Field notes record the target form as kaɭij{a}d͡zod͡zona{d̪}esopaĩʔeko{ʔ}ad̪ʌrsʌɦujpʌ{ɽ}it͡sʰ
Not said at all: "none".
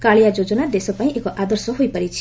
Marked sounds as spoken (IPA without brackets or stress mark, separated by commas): a, d̪, ʔ, ɾ